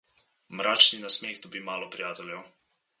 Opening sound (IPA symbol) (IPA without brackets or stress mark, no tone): m